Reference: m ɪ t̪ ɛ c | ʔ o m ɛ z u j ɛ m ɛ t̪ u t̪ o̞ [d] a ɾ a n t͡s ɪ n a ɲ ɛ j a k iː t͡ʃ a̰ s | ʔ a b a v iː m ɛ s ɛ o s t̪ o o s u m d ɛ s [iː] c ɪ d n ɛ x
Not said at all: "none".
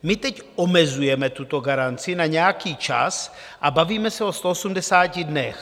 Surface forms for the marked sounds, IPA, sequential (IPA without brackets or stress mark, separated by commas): ɡ, aː